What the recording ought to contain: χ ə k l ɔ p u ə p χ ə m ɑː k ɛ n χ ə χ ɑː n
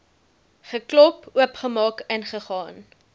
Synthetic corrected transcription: χ ə k l ɔ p u ə p χ ə m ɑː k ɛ n χ ə χ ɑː n